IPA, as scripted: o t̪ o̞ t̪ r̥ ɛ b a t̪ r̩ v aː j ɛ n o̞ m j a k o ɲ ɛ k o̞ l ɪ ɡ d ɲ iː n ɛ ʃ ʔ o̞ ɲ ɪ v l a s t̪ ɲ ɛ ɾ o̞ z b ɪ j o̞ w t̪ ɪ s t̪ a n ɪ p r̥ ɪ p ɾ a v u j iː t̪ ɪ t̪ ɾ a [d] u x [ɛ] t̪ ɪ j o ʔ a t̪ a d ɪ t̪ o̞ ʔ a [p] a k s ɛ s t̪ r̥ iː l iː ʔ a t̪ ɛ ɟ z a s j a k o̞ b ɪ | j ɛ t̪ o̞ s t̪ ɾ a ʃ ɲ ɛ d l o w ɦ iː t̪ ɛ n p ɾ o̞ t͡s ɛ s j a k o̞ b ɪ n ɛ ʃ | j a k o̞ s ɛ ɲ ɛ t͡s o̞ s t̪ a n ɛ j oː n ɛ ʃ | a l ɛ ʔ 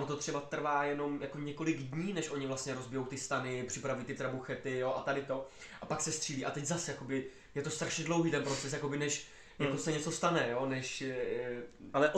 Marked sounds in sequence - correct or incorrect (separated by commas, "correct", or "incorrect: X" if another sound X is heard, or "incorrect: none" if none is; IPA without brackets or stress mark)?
incorrect: b, correct, correct